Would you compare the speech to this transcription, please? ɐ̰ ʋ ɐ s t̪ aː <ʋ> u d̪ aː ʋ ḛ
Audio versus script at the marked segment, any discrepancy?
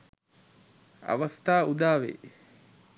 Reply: yes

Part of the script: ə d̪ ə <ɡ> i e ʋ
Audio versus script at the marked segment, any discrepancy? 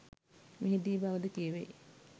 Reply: yes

